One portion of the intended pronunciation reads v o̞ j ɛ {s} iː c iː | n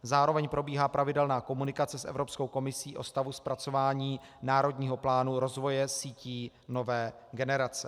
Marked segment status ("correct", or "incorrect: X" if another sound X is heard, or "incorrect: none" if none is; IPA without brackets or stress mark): correct